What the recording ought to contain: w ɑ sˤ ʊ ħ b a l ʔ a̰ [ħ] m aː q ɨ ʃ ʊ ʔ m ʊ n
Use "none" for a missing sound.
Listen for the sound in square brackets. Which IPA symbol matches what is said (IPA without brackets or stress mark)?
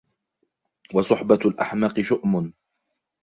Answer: ħ